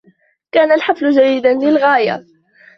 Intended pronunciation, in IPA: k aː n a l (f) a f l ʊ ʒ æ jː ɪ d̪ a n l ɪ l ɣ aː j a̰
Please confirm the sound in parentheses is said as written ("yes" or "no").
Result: no